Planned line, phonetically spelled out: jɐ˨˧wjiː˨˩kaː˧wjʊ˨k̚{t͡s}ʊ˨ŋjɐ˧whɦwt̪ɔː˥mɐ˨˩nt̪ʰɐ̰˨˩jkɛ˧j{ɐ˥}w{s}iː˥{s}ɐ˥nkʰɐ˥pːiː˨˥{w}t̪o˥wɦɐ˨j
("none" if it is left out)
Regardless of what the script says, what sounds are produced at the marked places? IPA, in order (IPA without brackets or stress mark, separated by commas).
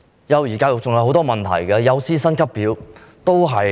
t͡s, ɐ˨˧, s, s, w